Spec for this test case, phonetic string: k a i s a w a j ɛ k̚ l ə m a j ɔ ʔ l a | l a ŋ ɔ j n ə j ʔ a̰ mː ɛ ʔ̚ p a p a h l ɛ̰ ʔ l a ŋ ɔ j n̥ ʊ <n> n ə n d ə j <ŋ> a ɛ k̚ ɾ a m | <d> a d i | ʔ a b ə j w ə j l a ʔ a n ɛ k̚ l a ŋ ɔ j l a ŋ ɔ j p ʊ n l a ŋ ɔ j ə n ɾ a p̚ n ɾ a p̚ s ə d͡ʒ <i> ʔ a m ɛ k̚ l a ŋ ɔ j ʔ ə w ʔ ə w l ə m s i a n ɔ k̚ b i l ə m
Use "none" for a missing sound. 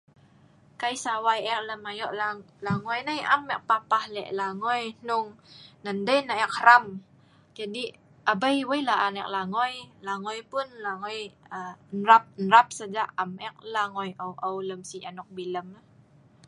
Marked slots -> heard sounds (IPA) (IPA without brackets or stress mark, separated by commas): ŋ, n, d͡ʒ, a